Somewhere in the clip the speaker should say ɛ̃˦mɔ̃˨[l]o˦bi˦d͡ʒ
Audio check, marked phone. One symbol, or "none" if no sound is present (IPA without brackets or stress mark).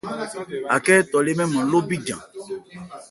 l